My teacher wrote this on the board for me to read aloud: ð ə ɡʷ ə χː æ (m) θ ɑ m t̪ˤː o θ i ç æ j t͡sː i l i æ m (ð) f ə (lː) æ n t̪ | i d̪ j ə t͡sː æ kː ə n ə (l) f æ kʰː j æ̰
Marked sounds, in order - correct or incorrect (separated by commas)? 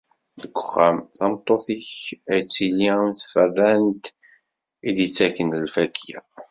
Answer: correct, incorrect, incorrect, correct